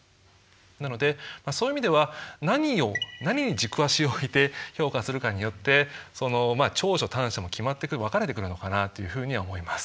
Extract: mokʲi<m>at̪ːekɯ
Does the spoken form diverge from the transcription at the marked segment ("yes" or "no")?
no